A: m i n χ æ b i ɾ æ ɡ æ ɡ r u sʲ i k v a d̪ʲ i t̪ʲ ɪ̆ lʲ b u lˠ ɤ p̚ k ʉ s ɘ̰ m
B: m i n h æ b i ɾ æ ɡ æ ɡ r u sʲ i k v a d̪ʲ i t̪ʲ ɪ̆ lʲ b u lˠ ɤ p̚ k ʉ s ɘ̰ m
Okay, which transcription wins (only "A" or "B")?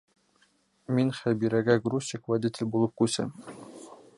A